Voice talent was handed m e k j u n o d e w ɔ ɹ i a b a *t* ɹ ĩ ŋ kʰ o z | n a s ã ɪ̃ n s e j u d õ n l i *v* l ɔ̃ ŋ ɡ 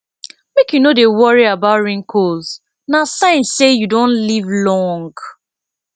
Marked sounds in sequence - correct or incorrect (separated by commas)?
correct, correct